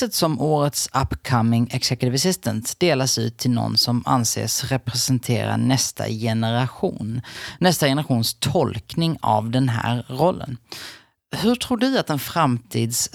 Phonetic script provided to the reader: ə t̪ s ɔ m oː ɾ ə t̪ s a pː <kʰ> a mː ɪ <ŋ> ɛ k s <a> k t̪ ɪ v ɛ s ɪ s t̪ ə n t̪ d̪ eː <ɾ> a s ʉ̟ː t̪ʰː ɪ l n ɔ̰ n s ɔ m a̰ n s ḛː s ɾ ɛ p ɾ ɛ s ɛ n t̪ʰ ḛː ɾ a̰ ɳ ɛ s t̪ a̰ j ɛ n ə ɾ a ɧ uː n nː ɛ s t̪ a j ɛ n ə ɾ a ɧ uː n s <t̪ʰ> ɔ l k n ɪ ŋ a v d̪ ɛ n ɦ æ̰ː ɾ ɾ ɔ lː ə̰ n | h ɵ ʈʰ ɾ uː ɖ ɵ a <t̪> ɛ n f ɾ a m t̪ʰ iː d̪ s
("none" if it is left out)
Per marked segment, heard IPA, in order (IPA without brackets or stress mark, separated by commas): kʰ, ŋ, ɛ, l, t̪ʰ, t̪